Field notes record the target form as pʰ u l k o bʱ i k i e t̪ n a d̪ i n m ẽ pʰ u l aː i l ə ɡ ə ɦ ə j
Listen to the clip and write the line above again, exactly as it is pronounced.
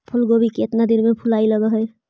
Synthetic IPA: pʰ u l ɡ o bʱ i k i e t̪ n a d̪ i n m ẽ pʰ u l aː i l ə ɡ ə ɦ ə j